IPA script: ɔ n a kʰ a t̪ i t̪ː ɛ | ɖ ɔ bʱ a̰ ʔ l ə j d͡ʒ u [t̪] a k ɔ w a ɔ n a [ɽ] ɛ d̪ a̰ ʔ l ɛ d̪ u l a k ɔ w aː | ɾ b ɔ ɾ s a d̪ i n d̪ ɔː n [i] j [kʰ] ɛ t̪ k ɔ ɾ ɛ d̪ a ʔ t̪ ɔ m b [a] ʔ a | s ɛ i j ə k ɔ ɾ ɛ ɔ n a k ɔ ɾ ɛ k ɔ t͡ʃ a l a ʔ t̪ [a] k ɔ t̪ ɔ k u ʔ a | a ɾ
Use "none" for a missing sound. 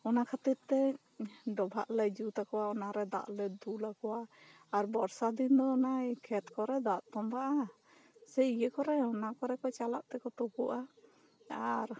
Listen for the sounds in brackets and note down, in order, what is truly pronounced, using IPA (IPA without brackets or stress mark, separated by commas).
t̪, ɾ, a, kʰ, a, ɛ